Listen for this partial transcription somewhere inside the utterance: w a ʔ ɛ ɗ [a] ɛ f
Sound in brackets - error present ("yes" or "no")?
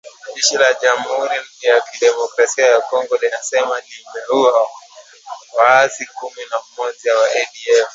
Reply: yes